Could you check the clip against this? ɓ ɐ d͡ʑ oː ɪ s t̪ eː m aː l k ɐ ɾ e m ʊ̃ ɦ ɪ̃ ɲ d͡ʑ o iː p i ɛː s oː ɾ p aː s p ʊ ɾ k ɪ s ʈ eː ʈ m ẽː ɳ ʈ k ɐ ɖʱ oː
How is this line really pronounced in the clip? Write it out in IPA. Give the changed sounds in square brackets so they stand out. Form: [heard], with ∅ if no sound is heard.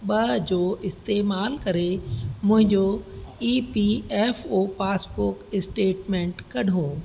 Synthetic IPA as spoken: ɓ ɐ d͡ʑ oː ɪ s t̪ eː m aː l k ɐ ɾ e m ʊ̃ ɦ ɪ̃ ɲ d͡ʑ o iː p i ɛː [f] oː [∅] p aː s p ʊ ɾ k ɪ s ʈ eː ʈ m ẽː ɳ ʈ k ɐ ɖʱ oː